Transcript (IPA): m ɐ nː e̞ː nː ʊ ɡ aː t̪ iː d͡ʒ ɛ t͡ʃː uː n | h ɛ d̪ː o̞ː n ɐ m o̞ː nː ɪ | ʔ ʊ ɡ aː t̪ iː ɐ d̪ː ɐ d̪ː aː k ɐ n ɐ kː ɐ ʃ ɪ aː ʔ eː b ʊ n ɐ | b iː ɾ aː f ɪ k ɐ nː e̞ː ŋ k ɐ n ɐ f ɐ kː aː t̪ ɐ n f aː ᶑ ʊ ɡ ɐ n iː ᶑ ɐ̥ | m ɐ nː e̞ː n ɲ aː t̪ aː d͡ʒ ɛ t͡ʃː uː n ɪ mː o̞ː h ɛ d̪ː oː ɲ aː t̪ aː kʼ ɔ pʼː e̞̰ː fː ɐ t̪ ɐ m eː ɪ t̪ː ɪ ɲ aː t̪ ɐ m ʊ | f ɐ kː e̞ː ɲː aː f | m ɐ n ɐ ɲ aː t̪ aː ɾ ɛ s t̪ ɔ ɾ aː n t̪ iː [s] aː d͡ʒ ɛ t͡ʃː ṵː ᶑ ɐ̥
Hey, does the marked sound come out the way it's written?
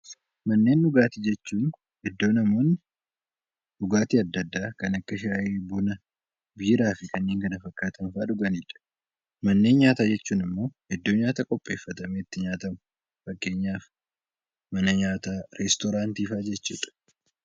no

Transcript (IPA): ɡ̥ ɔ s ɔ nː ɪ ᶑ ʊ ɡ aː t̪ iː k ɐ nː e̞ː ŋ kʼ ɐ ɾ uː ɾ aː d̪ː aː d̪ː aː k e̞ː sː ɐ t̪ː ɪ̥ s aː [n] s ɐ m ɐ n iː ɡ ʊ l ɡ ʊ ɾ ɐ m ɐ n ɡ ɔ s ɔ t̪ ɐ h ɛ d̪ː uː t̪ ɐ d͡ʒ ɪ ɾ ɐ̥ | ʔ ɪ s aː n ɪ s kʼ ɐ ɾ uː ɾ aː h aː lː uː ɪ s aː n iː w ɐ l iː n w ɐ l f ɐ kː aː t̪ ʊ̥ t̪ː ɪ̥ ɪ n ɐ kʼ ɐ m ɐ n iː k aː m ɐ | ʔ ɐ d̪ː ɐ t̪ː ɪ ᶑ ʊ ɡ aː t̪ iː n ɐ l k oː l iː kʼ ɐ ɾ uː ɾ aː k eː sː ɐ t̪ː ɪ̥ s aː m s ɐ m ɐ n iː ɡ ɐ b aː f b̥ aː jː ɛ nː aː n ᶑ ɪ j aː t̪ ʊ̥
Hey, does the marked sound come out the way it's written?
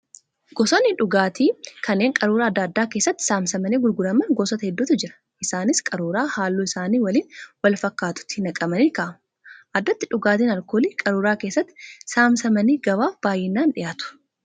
no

